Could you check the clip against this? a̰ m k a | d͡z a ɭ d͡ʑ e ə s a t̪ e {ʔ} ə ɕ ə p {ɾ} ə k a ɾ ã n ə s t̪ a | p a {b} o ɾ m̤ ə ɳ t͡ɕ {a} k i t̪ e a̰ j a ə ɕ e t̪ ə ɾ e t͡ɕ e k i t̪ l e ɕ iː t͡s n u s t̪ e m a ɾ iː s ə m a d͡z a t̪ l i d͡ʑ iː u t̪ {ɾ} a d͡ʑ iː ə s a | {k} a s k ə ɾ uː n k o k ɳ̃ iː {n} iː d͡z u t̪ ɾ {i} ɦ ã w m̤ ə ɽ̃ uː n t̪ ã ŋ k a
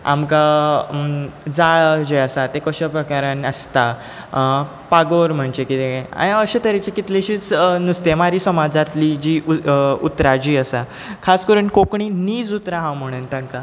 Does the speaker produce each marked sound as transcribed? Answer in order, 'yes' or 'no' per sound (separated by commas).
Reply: no, yes, no, no, yes, no, yes, no